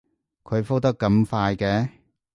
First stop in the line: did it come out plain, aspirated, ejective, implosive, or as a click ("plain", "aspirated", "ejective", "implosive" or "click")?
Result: aspirated